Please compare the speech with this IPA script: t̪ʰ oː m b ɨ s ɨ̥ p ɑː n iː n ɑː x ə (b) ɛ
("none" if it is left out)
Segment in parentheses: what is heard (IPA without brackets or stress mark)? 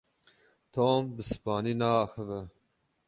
v